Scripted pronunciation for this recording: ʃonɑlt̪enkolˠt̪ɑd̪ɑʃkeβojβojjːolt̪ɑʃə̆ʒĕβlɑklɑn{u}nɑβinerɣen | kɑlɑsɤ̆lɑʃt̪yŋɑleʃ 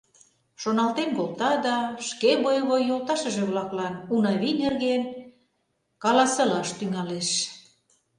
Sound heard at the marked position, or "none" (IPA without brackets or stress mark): u